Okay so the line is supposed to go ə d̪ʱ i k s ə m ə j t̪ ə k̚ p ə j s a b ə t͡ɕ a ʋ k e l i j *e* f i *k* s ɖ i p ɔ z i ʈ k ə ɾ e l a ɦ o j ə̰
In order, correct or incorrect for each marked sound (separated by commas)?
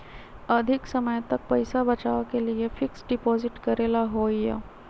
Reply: correct, correct